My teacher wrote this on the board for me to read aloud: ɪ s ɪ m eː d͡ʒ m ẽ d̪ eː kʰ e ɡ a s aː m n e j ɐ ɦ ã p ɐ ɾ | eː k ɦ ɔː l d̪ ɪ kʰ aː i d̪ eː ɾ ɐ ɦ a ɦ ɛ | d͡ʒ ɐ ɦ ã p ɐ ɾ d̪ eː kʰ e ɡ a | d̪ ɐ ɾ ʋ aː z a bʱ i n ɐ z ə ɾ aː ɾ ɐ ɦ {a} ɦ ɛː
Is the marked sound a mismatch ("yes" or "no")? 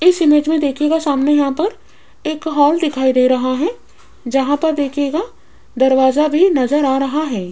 no